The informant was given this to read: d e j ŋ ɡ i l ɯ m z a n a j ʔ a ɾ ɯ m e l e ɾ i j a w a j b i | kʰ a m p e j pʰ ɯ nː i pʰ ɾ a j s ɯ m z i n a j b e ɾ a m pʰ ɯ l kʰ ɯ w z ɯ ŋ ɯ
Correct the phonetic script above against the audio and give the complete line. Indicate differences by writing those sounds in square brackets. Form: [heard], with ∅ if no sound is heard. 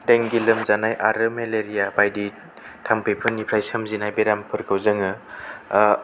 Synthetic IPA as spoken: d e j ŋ ɡ i l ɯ m z a n a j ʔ a ɾ ɯ m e l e ɾ i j a [b] a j [d] i | [tʰ] a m p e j pʰ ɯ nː i pʰ ɾ a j s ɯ m z i n a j b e ɾ a m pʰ ɯ [ɾ] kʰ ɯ w z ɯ ŋ ɯ